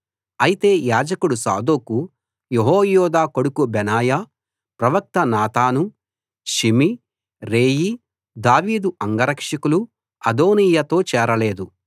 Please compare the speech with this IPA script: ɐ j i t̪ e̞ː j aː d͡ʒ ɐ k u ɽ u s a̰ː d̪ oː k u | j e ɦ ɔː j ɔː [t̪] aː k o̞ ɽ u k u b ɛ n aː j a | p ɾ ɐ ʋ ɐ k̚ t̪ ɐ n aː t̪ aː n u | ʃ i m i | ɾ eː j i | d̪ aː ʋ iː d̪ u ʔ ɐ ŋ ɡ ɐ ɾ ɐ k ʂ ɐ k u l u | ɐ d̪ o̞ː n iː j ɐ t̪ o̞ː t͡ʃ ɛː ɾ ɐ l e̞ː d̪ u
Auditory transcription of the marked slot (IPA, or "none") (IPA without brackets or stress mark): d̪